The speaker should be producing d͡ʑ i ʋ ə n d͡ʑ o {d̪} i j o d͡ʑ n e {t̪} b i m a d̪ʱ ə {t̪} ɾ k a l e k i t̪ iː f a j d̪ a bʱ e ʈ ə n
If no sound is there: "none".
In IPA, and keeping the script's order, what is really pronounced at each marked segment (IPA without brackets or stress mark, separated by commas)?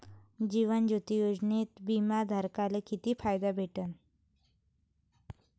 t̪, t̪, none